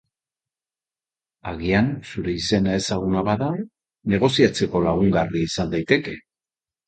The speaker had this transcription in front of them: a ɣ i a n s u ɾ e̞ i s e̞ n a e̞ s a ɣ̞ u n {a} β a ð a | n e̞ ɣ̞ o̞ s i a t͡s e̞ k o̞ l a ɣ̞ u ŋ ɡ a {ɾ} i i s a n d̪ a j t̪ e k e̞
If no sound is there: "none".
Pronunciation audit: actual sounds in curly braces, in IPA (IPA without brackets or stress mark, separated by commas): a, r